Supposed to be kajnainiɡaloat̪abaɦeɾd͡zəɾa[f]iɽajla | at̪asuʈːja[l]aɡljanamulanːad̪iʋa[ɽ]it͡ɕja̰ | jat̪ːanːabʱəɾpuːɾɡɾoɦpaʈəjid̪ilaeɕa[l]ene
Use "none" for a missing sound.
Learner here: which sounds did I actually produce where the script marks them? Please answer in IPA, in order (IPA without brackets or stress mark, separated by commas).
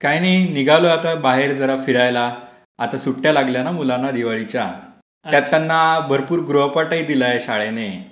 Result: f, l, ɭ, ɭ